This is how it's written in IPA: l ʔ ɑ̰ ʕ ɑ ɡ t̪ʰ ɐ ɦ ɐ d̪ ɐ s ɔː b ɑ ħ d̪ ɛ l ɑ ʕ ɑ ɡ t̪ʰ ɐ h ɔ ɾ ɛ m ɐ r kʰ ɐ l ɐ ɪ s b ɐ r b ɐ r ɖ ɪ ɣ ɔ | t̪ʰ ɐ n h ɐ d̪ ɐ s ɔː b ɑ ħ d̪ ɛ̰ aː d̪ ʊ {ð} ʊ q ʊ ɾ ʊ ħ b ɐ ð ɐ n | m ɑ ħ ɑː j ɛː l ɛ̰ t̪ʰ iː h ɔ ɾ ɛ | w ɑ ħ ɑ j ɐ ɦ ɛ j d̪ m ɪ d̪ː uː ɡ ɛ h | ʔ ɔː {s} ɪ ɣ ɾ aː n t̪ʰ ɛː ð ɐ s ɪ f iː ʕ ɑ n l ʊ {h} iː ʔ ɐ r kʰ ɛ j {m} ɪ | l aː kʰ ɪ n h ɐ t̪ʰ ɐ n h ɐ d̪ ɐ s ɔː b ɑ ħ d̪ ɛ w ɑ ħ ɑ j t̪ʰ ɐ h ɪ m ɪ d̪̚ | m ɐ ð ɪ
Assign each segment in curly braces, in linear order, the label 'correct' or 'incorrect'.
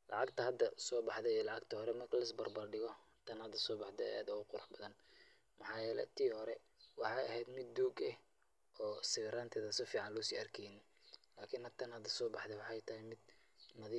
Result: incorrect: ɣ, correct, incorrect: s, incorrect: n

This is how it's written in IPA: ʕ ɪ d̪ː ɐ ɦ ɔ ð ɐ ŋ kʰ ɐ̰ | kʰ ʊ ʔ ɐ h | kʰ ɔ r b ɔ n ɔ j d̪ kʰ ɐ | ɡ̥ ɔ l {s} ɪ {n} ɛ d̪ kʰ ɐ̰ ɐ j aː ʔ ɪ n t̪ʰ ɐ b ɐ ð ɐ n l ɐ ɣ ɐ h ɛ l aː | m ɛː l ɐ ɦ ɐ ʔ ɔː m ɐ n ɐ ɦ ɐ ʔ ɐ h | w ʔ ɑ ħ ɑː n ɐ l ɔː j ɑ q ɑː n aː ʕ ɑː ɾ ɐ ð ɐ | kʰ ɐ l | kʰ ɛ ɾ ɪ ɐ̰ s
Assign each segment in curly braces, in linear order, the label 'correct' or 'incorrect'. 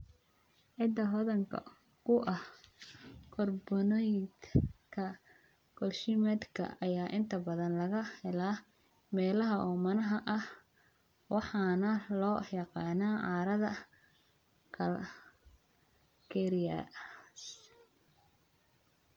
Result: incorrect: ʃ, incorrect: m

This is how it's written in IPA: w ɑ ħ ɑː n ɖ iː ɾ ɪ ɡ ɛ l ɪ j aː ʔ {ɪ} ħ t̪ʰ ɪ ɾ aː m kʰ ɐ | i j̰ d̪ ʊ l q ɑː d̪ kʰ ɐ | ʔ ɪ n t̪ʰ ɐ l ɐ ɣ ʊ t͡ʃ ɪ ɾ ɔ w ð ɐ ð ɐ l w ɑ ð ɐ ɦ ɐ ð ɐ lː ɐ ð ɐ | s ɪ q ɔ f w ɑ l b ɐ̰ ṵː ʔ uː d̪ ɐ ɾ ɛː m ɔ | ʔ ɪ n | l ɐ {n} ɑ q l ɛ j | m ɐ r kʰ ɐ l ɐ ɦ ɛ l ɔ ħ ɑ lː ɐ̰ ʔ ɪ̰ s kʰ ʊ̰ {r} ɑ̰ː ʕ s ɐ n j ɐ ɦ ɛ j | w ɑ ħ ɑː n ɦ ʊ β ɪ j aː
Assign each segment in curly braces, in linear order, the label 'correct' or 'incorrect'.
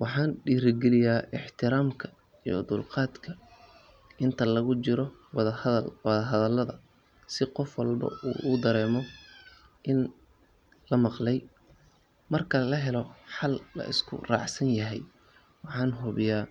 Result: correct, incorrect: m, correct

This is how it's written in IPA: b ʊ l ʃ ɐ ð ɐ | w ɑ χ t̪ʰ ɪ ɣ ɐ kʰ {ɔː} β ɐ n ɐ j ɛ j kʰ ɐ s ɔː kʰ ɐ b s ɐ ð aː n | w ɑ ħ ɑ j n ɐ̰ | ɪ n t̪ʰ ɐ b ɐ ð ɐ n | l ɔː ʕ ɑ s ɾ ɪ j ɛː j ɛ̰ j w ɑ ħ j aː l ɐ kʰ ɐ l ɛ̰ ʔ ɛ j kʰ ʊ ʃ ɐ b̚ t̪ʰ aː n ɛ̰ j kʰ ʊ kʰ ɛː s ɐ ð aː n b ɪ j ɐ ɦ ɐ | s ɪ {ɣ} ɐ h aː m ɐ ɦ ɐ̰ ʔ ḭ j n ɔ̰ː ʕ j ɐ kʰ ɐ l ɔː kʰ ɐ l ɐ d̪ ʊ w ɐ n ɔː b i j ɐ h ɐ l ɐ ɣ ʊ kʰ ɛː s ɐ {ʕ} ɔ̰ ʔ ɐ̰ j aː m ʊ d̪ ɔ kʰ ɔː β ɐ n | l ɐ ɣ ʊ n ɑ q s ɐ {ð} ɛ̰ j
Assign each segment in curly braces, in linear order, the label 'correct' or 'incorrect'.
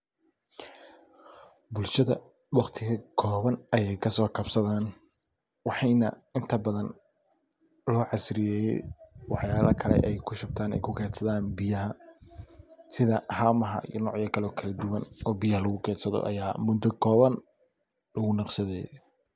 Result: correct, incorrect: ð, incorrect: ð, correct

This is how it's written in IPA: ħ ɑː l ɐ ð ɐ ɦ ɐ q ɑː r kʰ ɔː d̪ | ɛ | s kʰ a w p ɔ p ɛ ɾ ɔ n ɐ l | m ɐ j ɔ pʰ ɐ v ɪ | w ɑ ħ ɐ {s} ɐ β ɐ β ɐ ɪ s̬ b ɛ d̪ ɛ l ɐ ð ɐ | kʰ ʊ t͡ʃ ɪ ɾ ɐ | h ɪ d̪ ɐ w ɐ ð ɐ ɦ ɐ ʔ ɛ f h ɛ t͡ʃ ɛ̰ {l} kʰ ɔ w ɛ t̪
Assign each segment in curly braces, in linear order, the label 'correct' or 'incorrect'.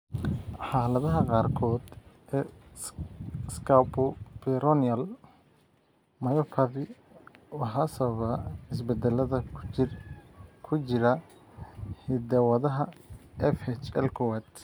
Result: correct, correct

